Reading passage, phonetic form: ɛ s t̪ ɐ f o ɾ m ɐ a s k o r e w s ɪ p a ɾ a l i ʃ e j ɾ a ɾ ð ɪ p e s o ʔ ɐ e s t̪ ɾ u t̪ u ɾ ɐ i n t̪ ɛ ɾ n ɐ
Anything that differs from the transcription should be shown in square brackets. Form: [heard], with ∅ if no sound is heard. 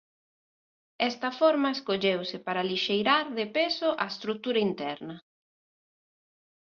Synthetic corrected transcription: ɛ s t̪ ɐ f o ɾ m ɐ [e] s k o [ʎ] e w s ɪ p a ɾ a l i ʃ e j ɾ a ɾ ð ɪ p e s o ʔ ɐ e s t̪ ɾ u t̪ u ɾ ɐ i n t̪ ɛ ɾ n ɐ